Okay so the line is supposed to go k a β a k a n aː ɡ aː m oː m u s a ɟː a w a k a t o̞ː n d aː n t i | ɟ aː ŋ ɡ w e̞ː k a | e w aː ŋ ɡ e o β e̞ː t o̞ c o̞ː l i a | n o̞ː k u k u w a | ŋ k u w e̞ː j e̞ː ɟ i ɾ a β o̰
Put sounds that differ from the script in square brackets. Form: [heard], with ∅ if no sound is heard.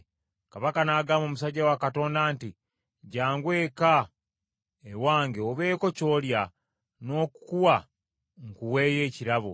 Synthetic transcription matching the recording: k a β a k a n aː ɡ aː m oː m u s a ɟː a w a k a t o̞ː n d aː n t i | ɟ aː ŋ ɡ w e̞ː k a | e w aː ŋ ɡ e o β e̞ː [k] o̞ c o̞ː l [j] a | n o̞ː k u k u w a | ŋ k u w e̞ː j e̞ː [c] i ɾ a β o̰

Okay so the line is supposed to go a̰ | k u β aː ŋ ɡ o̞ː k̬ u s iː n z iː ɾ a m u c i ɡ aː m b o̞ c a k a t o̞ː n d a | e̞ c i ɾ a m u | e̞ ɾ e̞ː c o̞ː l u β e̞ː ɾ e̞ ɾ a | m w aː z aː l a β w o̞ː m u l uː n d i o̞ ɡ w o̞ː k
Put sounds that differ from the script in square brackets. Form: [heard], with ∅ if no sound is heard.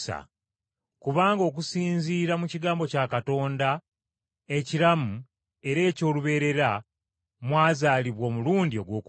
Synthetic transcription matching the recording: a̰ | k u β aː ŋ ɡ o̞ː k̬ u s iː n z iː ɾ a m u c i ɡ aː m b o̞ c a k a t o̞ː n d a | e̞ c i ɾ a m u | e̞ ɾ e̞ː c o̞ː l u β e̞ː ɾ e̞ ɾ a | m w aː z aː l [i] β w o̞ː m u l uː n d i o̞ ɡ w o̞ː k

